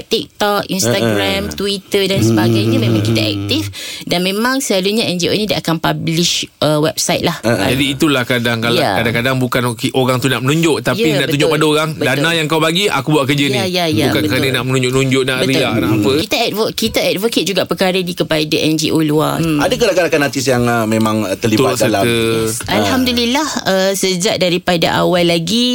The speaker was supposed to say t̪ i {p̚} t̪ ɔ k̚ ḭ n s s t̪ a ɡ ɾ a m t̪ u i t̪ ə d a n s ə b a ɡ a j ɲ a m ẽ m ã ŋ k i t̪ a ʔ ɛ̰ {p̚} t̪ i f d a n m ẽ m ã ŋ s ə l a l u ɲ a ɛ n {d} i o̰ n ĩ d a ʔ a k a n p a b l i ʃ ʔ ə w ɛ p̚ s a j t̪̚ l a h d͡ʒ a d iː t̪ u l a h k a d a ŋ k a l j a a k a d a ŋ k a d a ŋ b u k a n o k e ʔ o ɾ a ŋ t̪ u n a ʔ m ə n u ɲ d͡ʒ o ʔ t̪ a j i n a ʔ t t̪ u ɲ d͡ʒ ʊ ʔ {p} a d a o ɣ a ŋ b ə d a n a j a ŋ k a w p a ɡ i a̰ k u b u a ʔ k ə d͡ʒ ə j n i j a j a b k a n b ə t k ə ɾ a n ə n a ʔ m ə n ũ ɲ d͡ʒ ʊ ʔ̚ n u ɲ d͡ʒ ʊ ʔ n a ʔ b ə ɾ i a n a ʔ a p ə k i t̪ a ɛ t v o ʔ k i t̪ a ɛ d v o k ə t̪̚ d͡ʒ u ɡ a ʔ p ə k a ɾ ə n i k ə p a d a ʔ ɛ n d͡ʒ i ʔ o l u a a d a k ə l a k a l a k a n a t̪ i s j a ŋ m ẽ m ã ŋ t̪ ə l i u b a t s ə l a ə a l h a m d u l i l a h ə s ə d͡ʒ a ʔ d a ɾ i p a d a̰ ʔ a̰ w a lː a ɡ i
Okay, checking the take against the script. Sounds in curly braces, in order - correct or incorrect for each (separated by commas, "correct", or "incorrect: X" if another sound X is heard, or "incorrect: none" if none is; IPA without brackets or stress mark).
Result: incorrect: k̚, incorrect: k̚, incorrect: d͡ʒ, correct